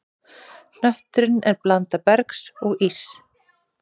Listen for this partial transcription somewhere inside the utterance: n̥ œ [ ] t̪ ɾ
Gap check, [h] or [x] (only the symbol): h